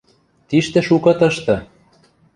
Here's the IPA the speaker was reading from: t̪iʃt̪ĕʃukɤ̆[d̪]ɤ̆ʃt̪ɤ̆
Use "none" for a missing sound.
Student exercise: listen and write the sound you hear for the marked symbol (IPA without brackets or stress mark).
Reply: t̪